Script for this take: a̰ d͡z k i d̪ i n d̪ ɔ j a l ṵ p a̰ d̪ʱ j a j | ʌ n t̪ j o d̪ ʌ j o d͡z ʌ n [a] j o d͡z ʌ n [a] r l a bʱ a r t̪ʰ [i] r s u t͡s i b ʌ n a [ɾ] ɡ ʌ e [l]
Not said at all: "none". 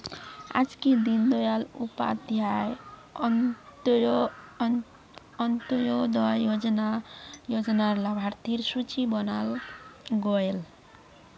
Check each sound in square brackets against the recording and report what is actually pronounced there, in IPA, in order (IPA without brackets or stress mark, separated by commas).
a, a, i, l, l